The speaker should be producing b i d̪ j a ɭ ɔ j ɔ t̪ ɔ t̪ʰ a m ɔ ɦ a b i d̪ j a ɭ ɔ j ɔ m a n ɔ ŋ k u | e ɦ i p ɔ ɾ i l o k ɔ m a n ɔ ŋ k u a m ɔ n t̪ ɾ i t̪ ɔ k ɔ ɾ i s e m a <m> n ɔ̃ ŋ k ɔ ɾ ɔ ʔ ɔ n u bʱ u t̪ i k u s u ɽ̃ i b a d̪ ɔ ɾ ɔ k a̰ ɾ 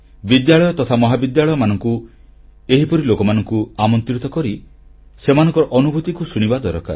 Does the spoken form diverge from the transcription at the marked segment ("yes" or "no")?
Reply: yes